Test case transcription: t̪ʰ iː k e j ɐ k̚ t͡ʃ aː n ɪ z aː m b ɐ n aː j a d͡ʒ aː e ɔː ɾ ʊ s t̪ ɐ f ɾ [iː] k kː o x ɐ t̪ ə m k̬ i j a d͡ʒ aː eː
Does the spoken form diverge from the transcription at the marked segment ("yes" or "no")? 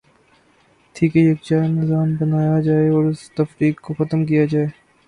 no